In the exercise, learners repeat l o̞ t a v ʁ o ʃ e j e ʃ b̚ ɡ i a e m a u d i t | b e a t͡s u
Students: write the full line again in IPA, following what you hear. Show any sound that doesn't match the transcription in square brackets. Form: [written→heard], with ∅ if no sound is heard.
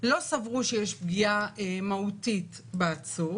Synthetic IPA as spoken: l o̞ [t→s] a v ʁ [o→u] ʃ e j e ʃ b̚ ɡ i a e m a u [d→t] i t | b e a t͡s u